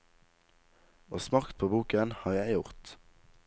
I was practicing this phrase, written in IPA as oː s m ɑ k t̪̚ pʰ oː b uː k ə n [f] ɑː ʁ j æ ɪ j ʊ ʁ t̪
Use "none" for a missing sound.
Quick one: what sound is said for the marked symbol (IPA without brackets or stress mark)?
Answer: h